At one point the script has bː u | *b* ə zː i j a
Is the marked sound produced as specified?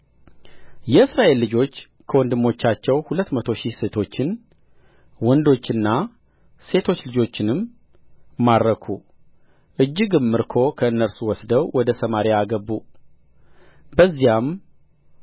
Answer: yes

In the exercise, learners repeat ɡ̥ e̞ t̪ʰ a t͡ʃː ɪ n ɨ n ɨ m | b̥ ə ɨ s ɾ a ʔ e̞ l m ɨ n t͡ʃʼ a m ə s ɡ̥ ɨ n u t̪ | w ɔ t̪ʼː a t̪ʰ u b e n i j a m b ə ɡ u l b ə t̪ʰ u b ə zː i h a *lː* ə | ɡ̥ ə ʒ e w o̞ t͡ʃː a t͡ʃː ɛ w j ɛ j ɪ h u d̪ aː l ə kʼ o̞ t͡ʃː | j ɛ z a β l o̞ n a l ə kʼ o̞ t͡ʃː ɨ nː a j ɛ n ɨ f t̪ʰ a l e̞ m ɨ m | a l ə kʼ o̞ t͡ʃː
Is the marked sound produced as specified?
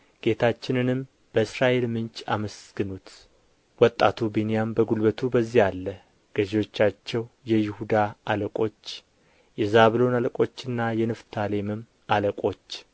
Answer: yes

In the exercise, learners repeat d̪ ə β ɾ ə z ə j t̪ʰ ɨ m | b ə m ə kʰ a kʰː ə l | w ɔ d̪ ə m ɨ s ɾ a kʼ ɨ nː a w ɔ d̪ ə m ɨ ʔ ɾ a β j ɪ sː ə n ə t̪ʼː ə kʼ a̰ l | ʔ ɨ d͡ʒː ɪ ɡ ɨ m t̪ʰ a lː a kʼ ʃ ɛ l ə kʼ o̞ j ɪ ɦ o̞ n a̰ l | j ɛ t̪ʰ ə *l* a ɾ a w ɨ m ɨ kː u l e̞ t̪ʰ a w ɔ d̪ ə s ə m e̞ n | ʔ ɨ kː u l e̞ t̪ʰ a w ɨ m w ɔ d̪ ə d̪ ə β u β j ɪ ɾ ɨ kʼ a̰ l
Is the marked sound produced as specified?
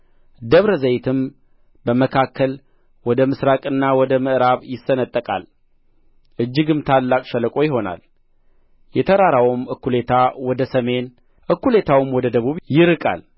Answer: no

